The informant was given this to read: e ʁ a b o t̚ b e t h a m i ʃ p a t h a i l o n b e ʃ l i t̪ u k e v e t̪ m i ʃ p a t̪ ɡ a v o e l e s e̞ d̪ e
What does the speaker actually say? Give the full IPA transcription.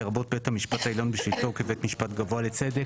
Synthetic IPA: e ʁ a b o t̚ b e t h a m i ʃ p a t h a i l o n b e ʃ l i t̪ o k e v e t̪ m i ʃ p a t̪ ɡ a v o a l e t͡s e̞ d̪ e